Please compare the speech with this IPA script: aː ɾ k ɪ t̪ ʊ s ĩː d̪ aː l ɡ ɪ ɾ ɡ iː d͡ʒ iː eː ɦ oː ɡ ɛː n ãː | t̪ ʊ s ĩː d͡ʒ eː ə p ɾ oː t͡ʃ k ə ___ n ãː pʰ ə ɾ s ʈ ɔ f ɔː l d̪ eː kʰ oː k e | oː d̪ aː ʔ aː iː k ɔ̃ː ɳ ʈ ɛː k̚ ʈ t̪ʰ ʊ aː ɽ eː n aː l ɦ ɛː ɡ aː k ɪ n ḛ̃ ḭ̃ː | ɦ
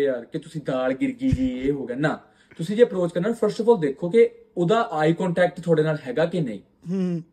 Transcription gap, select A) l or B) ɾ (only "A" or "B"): B